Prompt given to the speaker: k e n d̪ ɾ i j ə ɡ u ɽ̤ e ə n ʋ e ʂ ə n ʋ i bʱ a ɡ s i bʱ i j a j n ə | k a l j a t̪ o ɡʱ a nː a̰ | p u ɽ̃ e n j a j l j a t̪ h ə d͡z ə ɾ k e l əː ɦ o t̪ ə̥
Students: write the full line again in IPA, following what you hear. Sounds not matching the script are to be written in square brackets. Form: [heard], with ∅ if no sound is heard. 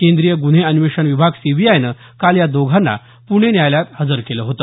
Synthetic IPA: k e n d̪ ɾ i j ə ɡ u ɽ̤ e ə n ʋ e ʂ ə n ʋ i bʱ a ɡ s i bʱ i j a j n ə | k a l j a [d̪] o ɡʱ a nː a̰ | p u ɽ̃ e n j a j l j a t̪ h ə d͡z ə ɾ k e l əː ɦ o t̪ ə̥